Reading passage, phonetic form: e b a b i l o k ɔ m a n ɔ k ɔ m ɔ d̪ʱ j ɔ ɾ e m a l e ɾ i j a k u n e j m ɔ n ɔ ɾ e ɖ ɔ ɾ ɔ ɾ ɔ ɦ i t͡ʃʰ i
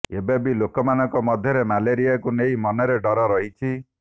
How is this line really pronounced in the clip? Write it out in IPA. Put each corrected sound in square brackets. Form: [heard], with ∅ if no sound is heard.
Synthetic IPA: e b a b i l o k ɔ m a n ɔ k ɔ m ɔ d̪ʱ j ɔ ɾ e m a l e ɾ i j a k u n e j m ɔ n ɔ ɾ e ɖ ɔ ɾ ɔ ɾ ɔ ɦ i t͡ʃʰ i

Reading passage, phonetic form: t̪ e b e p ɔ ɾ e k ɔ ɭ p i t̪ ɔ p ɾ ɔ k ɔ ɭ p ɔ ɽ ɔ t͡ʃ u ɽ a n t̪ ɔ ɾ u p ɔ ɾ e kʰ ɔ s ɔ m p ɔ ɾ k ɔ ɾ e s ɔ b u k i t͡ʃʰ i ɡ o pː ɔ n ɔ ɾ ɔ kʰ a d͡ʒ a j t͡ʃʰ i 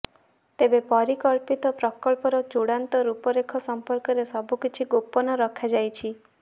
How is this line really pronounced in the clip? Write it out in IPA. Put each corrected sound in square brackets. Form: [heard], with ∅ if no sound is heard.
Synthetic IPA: t̪ e b e p ɔ ɾ [i] k ɔ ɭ p i t̪ ɔ p ɾ ɔ k ɔ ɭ p ɔ [ɾ] ɔ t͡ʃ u ɽ a n t̪ ɔ ɾ u p ɔ ɾ e kʰ ɔ s ɔ m p ɔ ɾ k ɔ ɾ e s ɔ b u k i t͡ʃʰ i ɡ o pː ɔ n ɔ ɾ ɔ kʰ a d͡ʒ a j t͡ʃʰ i

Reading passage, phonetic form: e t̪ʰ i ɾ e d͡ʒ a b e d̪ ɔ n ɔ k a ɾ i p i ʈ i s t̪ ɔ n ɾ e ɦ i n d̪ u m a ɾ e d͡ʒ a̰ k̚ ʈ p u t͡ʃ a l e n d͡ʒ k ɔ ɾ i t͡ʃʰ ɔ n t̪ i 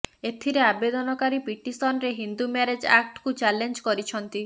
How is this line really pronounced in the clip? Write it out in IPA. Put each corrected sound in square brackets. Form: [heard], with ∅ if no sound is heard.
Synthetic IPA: e t̪ʰ i ɾ e [∅] a b e d̪ ɔ n ɔ k a ɾ i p i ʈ i s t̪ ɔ n ɾ e ɦ i n d̪ u m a ɾ e d͡ʒ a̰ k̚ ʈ [k] u t͡ʃ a l e n d͡ʒ k ɔ ɾ i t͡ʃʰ ɔ n t̪ i

